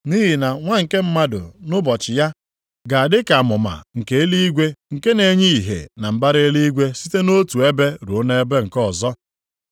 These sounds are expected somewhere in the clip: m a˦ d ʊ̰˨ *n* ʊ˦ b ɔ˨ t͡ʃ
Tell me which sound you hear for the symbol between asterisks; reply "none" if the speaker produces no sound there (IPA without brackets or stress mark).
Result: n